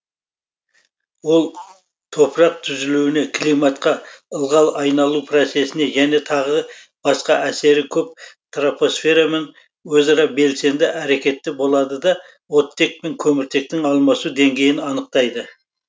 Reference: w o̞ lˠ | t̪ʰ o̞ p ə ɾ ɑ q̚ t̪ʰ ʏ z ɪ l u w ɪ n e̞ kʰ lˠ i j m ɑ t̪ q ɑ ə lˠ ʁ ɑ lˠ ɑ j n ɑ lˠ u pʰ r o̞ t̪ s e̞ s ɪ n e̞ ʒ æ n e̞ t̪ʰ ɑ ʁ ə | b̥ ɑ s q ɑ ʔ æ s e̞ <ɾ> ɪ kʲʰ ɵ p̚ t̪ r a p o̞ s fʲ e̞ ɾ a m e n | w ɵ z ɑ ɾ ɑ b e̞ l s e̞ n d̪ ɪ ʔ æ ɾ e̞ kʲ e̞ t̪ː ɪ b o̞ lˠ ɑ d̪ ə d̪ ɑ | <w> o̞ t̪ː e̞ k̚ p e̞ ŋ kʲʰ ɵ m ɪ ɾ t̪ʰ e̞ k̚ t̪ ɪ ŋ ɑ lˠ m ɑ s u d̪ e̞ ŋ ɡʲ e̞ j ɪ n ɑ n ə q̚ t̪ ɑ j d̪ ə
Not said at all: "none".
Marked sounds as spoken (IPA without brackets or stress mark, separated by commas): ɾ, w